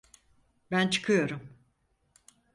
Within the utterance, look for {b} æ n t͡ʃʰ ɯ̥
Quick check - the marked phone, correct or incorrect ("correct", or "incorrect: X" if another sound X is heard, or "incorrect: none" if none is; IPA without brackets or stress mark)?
correct